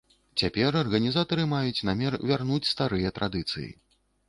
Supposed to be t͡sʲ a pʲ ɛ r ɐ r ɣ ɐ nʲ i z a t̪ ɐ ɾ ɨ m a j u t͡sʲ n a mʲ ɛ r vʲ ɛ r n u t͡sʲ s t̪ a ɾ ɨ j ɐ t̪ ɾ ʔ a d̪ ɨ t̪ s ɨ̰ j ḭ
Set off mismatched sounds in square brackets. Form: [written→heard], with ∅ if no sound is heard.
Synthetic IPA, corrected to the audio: t͡sʲ a pʲ ɛ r ɐ r ɣ ɐ nʲ i z a t̪ ɐ ɾ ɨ m a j u t͡sʲ n a mʲ ɛ r vʲ [ɛ→a] r n u t͡sʲ s t̪ a ɾ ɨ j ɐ t̪ ɾ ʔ a d̪ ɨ t̪ s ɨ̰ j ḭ